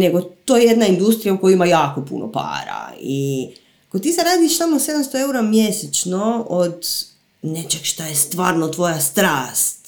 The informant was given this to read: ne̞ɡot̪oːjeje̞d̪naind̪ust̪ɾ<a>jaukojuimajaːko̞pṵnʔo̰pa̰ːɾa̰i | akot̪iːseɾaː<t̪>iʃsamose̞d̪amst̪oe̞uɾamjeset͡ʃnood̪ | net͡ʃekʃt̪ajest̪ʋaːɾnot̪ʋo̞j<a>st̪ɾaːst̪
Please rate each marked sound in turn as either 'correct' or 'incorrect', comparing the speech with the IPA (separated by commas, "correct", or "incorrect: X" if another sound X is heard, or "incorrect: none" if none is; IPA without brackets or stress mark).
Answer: incorrect: i, incorrect: d̪, correct